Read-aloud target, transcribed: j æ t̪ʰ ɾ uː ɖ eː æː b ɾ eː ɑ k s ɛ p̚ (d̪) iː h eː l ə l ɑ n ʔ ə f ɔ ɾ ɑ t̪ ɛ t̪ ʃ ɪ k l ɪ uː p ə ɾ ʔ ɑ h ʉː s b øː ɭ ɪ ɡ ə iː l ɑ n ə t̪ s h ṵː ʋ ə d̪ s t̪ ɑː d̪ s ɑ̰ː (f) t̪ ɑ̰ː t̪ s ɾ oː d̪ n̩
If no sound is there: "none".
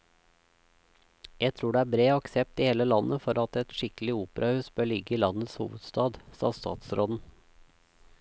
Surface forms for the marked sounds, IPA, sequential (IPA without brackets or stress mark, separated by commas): t̪, s